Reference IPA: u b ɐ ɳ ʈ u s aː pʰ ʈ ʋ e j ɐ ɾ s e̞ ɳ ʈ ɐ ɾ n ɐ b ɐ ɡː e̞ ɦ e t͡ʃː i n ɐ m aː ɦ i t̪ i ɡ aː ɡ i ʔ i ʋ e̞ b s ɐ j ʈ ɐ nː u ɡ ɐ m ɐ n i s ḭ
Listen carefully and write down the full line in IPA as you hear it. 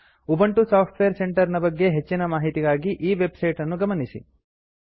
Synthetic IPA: u b ɐ ɳ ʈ u s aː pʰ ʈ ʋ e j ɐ ɾ s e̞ ɳ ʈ ɐ ɾ n ɐ b ɐ ɡː e̞ ɦ e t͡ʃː i n ɐ m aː ɦ i t̪ i ɡ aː ɡ i ʔ iː ʋ e̞ b s ɐ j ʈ ɐ nː u ɡ ɐ m ɐ n i s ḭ

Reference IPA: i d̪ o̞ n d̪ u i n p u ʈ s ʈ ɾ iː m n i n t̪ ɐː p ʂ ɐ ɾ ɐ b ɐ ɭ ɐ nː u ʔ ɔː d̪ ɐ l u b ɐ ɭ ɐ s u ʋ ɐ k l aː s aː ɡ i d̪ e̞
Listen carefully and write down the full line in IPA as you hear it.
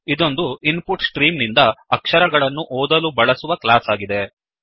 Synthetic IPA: i d̪ o̞ n d̪ u i n p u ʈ s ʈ ɾ iː m n i n d̪ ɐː k ʂ ɐ ɾ ɐ ɡ ɐ ɭ ɐ nː u ʔ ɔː d̪ ɐ l u b ɐ ɭ ɐ s u ʋ ɐ k l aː s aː ɡ i d̪ e̞

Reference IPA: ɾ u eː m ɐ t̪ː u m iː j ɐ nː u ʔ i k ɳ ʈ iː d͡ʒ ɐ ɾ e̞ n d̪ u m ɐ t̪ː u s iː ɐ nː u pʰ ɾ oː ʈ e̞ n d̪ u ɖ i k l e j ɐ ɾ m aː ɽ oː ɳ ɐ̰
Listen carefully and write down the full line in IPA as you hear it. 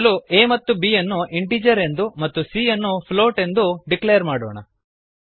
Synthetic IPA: l u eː m ɐ t̪ː u b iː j ɐ nː u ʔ i ɳ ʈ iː d͡ʒ ɐ ɾ e̞ n d̪ u m ɐ t̪ː u s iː ɐ nː u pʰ l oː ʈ e̞ n d̪ u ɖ i k l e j ɐ ɾ m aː ɽ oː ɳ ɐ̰

